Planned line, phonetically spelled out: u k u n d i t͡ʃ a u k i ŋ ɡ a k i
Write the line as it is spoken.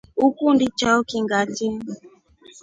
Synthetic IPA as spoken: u k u n d i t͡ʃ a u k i ŋ ɡ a t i